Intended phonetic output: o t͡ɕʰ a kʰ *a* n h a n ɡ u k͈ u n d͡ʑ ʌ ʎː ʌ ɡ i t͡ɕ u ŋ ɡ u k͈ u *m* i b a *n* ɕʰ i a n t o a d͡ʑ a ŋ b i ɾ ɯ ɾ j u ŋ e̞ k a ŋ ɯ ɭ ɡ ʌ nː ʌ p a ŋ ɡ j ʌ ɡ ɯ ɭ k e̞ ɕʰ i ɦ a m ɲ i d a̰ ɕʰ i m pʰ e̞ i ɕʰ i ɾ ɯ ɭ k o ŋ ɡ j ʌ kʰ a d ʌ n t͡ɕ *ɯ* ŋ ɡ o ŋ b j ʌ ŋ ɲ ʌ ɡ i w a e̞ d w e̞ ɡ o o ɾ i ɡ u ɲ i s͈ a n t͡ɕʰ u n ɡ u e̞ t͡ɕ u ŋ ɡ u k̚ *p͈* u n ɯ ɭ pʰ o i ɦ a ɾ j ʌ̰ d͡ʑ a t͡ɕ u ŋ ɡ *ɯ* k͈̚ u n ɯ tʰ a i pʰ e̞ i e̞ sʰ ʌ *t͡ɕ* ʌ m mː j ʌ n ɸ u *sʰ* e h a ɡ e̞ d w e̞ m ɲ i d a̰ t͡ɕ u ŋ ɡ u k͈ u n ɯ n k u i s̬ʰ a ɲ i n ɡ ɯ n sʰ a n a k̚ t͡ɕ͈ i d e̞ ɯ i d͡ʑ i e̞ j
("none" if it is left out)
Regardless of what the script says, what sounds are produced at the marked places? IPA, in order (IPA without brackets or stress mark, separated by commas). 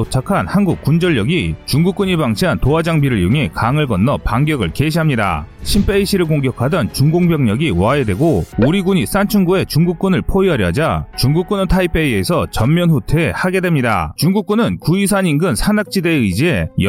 a, ɲ, ŋ, u, k͈, u, t͡ɕ, tʰ